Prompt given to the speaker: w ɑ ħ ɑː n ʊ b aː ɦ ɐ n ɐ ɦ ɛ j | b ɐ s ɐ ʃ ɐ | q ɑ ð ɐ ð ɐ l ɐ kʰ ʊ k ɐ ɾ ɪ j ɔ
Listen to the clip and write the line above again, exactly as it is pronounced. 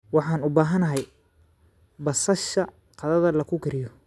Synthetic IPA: w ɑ ħ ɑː n ʊ b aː ɦ ɐ n ɐ ɦ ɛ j | b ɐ s ɐ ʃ ɐ | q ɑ ð ɐ ð ɐ l ɐ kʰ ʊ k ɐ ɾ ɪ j ɔ